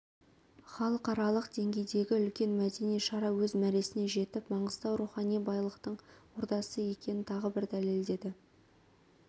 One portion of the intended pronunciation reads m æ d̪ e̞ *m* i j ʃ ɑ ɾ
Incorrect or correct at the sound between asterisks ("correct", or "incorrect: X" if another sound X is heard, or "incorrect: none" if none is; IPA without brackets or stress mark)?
incorrect: n